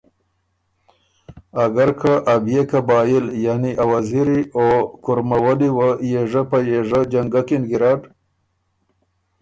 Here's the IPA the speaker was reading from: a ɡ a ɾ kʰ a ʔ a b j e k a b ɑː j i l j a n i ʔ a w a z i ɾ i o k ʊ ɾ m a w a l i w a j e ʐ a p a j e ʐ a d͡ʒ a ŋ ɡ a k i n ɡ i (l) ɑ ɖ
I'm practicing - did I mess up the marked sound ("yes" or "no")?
yes